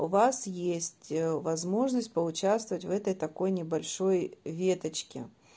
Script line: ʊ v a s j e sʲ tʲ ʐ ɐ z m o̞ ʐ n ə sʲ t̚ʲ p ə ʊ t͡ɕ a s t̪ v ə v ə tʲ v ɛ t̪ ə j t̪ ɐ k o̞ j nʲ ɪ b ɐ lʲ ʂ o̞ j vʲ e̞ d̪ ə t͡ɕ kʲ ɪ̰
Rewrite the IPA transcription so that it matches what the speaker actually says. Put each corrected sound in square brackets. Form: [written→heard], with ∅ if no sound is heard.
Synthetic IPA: ʊ v a s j e sʲ tʲ [ʐ→v] ɐ z m o̞ ʐ n ə sʲ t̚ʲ p ə ʊ t͡ɕ a s t̪ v ə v ə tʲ v ɛ t̪ ə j t̪ ɐ k o̞ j nʲ ɪ b ɐ lʲ ʂ o̞ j vʲ e̞ [d̪→t̪] ə t͡ɕ kʲ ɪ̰